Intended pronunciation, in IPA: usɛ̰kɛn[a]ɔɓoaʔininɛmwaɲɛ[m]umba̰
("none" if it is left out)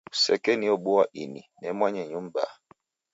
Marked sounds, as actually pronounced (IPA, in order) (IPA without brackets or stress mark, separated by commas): i, ɲ